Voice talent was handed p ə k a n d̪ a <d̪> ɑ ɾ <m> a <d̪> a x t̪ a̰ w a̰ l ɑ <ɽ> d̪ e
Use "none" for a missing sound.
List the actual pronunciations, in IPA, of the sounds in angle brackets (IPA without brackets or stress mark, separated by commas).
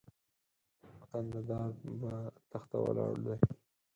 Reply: d̪, b, t̪, ɽ